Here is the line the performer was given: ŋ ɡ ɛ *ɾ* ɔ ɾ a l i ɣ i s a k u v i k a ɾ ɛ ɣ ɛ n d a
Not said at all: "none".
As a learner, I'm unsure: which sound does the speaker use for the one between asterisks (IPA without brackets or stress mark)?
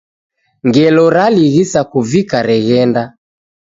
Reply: l